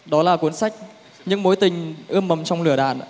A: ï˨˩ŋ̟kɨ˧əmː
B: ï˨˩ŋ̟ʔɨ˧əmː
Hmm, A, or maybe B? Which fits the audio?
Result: B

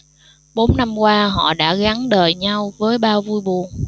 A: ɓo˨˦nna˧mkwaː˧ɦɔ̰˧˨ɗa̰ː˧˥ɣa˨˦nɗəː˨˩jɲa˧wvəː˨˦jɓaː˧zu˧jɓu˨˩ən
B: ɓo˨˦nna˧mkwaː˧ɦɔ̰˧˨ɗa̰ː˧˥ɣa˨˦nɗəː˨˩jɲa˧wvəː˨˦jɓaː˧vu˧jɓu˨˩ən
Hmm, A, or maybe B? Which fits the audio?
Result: B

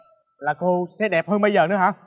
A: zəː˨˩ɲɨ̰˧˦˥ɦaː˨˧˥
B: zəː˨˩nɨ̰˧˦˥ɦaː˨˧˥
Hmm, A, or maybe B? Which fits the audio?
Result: B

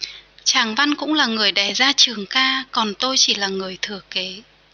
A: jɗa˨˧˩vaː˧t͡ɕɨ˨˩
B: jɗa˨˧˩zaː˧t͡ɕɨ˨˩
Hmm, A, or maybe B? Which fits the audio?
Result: B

